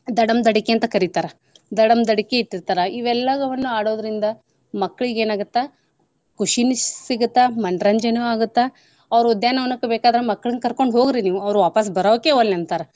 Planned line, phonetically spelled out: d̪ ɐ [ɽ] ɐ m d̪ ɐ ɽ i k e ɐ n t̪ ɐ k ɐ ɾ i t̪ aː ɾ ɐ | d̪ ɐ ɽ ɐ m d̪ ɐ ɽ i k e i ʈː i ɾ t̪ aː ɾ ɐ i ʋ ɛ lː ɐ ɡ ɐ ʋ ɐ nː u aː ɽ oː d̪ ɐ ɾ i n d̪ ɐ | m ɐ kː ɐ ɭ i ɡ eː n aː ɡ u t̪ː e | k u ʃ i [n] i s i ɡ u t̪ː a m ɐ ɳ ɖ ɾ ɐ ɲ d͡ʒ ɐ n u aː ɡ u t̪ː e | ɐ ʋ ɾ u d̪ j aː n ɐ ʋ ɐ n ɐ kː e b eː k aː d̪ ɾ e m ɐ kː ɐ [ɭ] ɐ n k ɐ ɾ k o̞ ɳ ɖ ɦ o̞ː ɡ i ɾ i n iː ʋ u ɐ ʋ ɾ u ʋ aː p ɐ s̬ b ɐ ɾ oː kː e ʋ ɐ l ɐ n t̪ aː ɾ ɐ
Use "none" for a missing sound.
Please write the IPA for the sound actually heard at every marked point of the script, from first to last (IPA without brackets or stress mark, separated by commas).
ɽ, n, ɭ